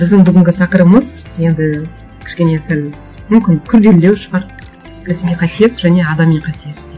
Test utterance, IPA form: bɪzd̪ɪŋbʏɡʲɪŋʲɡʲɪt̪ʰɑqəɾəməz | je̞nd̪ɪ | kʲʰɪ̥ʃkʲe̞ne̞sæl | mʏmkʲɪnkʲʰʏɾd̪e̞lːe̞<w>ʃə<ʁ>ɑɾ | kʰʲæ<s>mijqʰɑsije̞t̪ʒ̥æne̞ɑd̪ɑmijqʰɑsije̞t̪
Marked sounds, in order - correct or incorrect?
correct, correct, correct

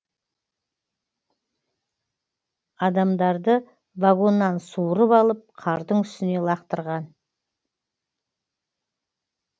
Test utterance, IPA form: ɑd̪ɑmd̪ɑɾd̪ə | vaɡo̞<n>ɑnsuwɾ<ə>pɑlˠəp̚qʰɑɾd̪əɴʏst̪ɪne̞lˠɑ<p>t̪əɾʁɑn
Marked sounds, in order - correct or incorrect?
incorrect, correct, incorrect

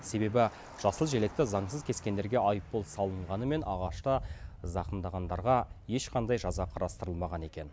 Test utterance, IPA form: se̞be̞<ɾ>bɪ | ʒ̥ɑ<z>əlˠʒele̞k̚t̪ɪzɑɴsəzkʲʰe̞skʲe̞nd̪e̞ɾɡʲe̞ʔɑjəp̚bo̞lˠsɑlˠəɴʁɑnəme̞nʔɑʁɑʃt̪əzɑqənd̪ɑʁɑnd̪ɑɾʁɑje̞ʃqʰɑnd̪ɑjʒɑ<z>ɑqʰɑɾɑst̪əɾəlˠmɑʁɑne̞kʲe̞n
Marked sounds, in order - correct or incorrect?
incorrect, incorrect, correct

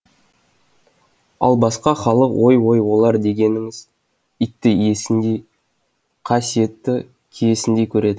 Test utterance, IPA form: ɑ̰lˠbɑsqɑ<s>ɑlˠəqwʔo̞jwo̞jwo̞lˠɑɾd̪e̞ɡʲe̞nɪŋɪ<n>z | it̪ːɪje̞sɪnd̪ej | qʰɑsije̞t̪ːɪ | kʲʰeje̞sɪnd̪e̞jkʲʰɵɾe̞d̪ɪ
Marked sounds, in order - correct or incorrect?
incorrect, incorrect

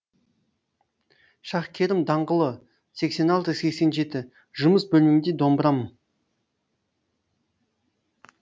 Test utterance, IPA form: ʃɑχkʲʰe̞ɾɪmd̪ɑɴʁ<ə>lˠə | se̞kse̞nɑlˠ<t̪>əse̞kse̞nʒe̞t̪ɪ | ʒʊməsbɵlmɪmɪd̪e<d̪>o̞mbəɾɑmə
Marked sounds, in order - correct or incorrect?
correct, correct, correct

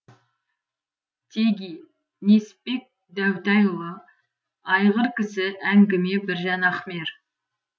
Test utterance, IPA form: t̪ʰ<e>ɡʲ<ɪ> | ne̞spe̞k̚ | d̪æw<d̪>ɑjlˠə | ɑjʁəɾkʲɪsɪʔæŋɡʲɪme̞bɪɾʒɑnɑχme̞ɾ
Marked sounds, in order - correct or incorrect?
correct, incorrect, incorrect

